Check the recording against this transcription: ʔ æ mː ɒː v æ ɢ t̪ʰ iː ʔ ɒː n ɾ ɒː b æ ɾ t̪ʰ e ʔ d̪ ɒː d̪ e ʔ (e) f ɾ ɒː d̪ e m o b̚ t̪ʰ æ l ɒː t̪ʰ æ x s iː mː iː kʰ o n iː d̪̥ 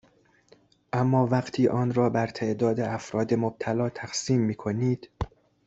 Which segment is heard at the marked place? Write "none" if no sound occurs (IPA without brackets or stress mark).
æ